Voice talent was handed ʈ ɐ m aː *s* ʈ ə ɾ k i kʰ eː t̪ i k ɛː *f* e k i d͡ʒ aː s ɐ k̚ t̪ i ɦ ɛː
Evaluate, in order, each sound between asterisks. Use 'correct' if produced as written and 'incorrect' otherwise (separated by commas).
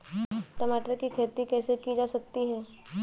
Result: incorrect, incorrect